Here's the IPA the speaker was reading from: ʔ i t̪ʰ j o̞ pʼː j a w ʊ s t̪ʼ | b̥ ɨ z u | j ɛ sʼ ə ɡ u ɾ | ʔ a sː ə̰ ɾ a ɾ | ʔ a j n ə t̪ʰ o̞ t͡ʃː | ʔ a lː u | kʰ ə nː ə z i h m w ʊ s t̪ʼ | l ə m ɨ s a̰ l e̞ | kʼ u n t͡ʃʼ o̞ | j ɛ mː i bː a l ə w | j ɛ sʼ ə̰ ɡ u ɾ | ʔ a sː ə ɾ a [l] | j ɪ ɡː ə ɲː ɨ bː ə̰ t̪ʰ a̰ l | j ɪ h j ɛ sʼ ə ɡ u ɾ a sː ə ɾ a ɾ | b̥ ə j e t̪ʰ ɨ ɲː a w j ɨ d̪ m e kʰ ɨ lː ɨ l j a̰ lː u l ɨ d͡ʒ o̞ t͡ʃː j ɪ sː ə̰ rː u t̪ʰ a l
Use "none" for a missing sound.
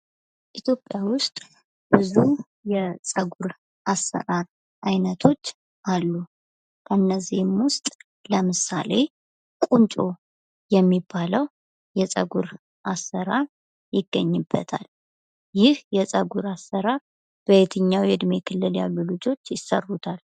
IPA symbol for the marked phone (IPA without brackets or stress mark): ɾ